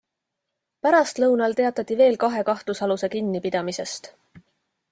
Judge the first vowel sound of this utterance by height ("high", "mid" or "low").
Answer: low